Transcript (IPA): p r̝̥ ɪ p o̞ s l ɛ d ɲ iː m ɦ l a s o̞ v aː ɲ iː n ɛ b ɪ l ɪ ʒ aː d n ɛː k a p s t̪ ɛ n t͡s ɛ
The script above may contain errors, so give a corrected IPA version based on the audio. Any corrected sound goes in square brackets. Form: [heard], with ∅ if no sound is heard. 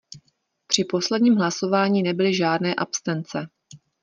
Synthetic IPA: p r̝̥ ɪ p o̞ s l ɛ d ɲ iː m ɦ l a s o̞ v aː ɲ iː n ɛ b ɪ l ɪ ʒ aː d n ɛː [ʔ] a p s t̪ ɛ n t͡s ɛ